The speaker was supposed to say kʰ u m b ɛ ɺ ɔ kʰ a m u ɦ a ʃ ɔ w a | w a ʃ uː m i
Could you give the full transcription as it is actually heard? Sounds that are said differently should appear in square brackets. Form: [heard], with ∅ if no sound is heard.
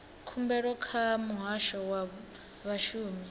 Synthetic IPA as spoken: kʰ u m b ɛ ɺ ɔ kʰ a m u ɦ a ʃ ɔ w a | [β] a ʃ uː m i